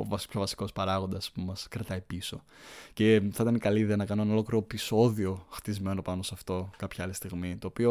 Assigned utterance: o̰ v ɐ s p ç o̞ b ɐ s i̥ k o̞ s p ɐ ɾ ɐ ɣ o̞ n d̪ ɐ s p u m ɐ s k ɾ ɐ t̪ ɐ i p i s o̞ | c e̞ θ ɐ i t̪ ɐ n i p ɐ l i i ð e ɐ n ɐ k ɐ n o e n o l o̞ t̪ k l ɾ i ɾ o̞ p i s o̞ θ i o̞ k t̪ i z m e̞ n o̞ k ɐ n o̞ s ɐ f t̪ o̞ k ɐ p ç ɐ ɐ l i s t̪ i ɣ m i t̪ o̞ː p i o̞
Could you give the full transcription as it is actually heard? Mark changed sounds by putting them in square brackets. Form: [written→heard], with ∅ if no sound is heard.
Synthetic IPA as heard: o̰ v ɐ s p ç o̞ [b→v] ɐ s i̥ k o̞ s p ɐ ɾ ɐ ɣ o̞ n d̪ ɐ s p u m ɐ s k ɾ ɐ t̪ ɐ i p i s o̞ | c e̞ θ ɐ i t̪ ɐ n i [p→k] ɐ l i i ð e ɐ n ɐ k ɐ n o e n o l o̞ [t̪→∅] k l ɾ i ɾ o̞ p i s o̞ [θ→ð] i o̞ [k→x] t̪ i z m e̞ n o̞ [k→p] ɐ n o̞ s ɐ f t̪ o̞ k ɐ p ç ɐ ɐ l i s t̪ i ɣ m i t̪ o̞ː p i o̞